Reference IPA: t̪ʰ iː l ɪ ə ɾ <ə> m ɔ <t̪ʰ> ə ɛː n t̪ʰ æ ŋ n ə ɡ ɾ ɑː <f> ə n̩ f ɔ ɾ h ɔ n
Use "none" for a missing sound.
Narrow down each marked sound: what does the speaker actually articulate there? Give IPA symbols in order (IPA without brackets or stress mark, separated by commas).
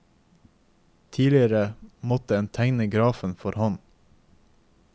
ə, t̪, f